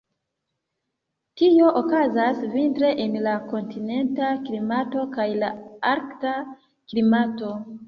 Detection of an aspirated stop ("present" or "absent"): absent